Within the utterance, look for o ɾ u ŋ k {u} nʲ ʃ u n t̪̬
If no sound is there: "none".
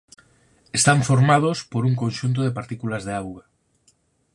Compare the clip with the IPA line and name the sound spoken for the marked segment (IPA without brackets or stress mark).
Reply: o